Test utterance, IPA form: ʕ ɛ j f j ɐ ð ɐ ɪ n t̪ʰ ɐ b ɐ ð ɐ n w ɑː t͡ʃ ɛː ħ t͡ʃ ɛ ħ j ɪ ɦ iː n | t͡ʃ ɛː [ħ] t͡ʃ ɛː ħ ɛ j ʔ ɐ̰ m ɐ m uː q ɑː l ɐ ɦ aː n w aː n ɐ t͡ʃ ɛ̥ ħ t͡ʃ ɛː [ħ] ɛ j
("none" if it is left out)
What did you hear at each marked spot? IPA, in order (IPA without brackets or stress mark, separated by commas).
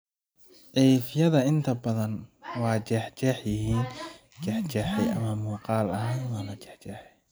ħ, ħ